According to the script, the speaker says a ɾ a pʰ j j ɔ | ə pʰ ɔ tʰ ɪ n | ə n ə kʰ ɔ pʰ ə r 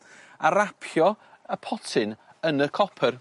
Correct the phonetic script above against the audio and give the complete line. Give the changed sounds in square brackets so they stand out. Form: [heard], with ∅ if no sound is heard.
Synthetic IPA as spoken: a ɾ a pʰ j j ɔ | ə pʰ ɔ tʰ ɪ n | ə n ə kʰ ɔ pʰ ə r

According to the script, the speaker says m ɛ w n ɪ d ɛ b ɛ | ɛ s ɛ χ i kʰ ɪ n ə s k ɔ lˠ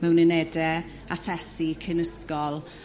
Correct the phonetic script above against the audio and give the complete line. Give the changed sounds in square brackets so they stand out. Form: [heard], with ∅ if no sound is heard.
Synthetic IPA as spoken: m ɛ w n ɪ [n] ɛ [d] ɛ | [a] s ɛ [s] i kʰ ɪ n ə s k ɔ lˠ

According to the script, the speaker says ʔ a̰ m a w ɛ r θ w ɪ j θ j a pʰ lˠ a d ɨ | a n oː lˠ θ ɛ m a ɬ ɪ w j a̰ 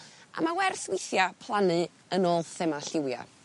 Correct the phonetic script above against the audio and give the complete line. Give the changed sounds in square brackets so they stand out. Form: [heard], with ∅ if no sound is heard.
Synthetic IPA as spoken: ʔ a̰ m a w ɛ r θ w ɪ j θ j a pʰ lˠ a [n] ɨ | [ə] n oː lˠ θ ɛ m a ɬ ɪ w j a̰

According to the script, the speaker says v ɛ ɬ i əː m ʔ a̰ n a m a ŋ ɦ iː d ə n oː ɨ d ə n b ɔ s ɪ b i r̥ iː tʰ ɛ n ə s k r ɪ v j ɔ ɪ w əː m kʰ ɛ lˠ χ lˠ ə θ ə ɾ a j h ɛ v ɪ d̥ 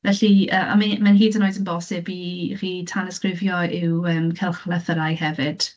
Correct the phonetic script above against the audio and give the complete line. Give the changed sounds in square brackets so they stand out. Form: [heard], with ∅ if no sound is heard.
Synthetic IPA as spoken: v ɛ ɬ i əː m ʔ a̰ [m] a m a [n] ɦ iː d ə n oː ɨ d ə n b ɔ s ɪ b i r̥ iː tʰ [a] n ə s k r ɪ v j ɔ ɪ w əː m kʰ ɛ lˠ χ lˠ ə θ ə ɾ a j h ɛ v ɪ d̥

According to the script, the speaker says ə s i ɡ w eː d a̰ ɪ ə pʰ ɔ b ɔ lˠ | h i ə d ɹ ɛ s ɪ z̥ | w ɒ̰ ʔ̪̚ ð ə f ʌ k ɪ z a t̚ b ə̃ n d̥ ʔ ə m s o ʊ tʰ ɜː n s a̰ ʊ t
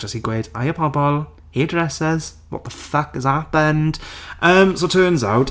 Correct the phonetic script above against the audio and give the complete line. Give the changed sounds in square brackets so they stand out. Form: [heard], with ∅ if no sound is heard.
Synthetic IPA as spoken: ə s i ɡ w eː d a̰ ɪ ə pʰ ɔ b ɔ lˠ | h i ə d ɹ ɛ s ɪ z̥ | w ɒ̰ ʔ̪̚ ð ə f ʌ k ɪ z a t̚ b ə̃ n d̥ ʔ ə m s o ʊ tʰ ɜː n [z] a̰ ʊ t

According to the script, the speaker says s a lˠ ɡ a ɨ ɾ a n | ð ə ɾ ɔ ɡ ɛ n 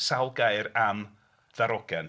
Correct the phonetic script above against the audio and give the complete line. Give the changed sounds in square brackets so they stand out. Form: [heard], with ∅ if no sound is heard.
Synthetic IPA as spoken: s a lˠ ɡ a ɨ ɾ a [m] | ð [a] ɾ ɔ ɡ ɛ n

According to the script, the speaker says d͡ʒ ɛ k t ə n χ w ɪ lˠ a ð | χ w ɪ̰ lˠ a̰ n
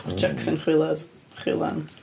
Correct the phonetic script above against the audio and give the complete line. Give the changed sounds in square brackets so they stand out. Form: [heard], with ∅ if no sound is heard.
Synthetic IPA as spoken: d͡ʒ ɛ k [s] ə n χ w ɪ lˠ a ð | χ w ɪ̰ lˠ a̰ n

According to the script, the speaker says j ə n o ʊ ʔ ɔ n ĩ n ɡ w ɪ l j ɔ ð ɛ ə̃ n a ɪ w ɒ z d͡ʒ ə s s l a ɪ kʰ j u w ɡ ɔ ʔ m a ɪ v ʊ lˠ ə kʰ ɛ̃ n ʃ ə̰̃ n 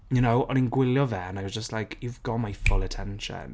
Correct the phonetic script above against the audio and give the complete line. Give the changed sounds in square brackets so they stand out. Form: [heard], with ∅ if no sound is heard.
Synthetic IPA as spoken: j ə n o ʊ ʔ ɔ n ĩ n ɡ w ɪ l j ɔ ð ɛ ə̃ n a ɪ w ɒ z d͡ʒ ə s [t] l a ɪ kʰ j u [v] ɡ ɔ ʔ m a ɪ [f] ʊ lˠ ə [tʰ] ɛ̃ n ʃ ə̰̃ n

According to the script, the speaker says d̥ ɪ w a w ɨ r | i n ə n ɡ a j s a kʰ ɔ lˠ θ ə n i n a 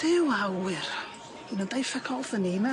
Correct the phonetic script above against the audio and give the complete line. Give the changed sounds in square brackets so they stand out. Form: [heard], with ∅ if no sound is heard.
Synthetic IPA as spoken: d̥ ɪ w a w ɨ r | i n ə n [d] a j [f] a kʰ ɔ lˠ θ ə n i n a

